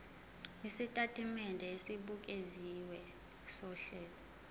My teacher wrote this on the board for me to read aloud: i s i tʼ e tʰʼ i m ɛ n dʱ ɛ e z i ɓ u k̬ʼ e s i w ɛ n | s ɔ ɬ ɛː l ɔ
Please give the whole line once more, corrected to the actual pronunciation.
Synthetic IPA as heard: i s i tʼ a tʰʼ i m ɛ n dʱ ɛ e s i ɓ u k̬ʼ e z i w ɛ | s ɔ ɬ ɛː l ɔ